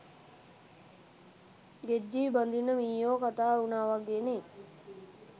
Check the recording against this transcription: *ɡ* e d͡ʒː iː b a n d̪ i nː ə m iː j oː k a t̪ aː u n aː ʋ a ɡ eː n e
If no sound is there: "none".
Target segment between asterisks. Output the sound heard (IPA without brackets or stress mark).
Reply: ɡ